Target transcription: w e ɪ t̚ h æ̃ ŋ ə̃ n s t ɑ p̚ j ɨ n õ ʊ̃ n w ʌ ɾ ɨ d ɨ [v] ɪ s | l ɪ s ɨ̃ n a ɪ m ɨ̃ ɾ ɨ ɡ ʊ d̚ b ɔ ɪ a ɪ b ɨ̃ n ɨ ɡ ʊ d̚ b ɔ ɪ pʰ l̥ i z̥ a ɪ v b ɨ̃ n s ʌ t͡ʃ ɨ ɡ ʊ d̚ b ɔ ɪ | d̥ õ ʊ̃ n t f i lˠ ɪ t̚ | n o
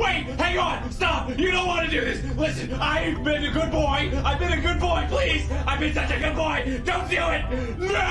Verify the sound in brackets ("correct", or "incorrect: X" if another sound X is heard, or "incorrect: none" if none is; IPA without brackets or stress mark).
incorrect: ð